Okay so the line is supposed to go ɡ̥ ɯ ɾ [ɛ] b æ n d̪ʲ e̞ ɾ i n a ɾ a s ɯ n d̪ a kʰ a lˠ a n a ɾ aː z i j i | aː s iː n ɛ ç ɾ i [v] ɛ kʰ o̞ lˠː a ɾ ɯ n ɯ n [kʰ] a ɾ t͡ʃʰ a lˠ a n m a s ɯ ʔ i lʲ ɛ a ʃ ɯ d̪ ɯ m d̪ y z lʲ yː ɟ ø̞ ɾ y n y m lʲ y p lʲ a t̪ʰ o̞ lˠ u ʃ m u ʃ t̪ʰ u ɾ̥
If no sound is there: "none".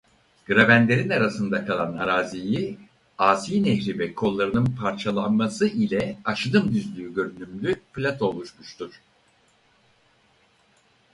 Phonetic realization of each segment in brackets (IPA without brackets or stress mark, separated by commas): a, v, pʰ